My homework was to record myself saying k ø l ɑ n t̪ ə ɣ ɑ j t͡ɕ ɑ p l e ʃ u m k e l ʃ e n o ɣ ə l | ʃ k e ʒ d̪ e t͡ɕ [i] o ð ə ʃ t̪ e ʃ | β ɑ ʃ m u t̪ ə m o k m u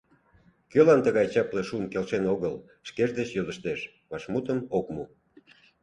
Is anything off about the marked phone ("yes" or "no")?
yes